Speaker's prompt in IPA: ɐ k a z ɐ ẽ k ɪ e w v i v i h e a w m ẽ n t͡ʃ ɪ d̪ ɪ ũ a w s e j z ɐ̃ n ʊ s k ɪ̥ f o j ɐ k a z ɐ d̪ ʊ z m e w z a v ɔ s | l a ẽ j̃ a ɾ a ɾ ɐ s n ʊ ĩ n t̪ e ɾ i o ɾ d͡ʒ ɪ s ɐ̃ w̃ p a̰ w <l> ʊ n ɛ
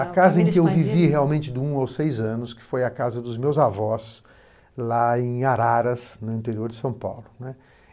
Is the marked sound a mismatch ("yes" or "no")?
no